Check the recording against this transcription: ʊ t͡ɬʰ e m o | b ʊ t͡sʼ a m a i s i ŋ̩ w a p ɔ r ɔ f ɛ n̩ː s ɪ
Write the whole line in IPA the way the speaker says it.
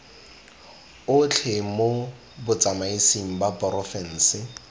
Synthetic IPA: ʊ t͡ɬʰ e m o | b ʊ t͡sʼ a m a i s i ŋ̩ b a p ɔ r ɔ f ɛ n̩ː s ɪ

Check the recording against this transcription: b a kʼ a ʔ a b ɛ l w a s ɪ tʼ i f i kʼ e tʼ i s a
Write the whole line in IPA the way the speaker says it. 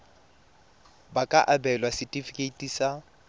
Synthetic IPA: b a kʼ a ʔ a b ɛ l w a s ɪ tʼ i f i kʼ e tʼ i s a

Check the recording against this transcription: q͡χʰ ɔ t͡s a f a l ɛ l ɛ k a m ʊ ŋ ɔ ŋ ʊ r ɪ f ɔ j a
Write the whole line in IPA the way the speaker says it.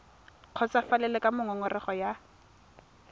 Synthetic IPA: q͡χʰ ɔ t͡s a f a l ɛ l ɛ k a m ʊ ŋ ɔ ŋ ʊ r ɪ χ ɔ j a

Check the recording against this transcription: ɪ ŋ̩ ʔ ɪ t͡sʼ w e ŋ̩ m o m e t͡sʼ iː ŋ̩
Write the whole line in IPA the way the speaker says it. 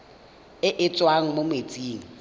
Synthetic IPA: ɪ ʔ ɪ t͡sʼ w a ŋ̩ m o m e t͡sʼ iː ŋ̩

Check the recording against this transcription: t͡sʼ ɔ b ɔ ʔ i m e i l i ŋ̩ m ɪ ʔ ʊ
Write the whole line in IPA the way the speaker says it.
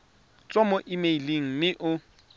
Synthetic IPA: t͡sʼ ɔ m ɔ ʔ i m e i l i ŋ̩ m ɪ ʔ ʊ

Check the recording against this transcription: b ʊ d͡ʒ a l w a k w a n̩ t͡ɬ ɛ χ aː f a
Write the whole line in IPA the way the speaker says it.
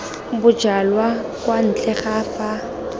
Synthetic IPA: b ʊ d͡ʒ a l w a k w a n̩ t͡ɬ ɛ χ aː f a

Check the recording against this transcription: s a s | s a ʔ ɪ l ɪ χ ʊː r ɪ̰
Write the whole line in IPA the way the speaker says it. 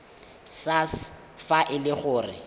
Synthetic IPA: s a s | f a ʔ ɪ l ɪ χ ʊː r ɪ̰

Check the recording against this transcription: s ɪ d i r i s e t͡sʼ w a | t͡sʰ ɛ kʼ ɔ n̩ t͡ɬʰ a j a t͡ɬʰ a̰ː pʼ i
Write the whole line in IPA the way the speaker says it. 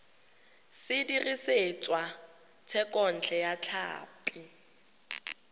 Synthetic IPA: s ɪ d i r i s e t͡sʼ w a | t͡sʰ ɛ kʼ ɔ n̩ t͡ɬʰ ɛ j a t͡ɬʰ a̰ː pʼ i

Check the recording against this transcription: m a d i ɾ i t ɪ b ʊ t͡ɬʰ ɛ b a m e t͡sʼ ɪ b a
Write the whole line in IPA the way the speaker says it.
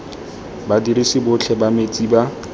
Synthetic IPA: b a d i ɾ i s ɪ b ʊ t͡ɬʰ ɛ b a m e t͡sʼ i b a

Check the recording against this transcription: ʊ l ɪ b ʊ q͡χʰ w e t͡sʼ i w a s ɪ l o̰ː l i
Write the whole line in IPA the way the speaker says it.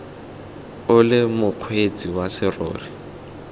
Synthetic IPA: ʊ l ɪ m ʊ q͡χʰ w e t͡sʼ i w a s ɪ r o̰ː r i

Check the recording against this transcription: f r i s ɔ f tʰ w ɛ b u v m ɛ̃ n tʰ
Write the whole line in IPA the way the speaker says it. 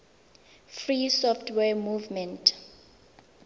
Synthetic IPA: f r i s ɔ f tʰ w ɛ m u v m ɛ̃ n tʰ

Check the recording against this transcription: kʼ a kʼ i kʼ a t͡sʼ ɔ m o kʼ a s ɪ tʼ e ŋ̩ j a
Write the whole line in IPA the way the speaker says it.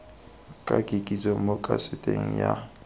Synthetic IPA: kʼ a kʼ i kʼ i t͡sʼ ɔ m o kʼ a s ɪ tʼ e ŋ̩ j a

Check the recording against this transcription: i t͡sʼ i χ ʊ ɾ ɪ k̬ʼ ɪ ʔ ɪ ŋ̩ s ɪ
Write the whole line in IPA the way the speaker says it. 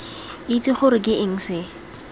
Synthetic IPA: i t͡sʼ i χ ʊ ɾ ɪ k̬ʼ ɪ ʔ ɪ ŋ̩ s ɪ

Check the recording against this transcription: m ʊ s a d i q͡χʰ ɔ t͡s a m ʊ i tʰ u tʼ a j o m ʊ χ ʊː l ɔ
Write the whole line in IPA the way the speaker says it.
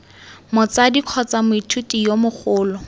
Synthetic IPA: m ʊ t͡s a d i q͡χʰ ɔ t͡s a m ʊ i tʰ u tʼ i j o m ʊ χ ʊː l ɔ

